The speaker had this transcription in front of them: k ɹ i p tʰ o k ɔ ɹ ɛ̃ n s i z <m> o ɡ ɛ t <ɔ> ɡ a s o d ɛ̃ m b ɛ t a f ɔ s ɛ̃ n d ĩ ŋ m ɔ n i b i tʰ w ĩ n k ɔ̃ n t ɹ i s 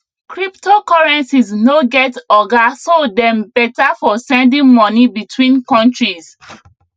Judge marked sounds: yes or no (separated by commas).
no, yes